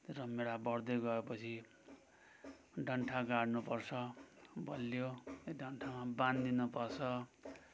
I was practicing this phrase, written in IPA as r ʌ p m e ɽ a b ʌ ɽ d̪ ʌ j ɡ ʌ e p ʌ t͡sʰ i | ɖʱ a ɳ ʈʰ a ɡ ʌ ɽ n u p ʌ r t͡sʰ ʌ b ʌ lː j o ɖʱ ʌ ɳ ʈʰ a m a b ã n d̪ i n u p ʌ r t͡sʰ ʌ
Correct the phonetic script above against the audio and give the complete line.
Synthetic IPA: r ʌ m e ɽ a b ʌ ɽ d̪ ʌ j ɡ ʌ e p ʌ t͡sʰ i | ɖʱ ʌ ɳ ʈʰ a ɡ a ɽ n u p ʌ r t͡sʰ ʌ b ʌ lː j o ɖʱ ʌ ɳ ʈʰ a m a b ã n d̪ i n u p ʌ r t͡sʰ ʌ